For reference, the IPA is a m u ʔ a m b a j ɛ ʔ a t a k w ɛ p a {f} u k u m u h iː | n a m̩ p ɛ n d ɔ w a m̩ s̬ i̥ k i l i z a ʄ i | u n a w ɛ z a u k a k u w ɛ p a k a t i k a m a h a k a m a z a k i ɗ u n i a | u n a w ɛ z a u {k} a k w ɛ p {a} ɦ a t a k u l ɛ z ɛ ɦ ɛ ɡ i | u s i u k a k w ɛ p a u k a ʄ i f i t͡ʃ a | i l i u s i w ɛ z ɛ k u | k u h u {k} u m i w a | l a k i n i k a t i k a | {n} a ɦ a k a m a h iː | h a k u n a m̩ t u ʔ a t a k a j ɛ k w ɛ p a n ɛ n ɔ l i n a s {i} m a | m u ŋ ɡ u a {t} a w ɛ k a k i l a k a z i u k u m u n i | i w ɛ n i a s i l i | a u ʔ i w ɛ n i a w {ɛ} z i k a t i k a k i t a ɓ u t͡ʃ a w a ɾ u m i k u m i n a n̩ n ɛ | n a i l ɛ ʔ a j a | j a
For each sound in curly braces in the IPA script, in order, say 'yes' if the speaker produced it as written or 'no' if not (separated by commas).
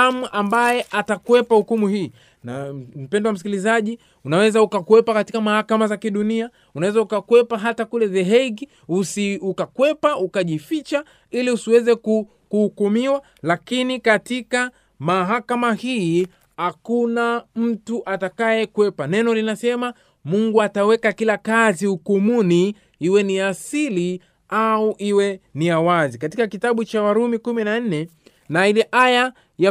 no, yes, yes, yes, no, no, yes, no